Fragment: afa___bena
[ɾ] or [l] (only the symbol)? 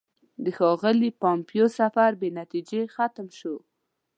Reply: ɾ